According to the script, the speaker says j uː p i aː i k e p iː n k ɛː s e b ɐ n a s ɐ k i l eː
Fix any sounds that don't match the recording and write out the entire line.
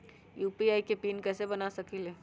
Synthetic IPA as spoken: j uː p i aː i k e p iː n k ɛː s e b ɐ n a s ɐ k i l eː